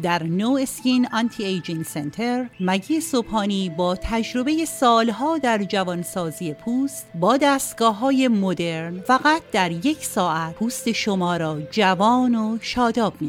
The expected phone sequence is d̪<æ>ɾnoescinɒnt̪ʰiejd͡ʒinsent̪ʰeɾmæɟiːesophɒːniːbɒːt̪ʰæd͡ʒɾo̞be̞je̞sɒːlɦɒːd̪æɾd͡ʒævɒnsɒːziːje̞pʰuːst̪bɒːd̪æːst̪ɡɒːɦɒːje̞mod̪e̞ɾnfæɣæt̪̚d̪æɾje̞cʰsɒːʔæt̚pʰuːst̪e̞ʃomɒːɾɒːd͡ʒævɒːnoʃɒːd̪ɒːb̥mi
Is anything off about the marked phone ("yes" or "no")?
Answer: no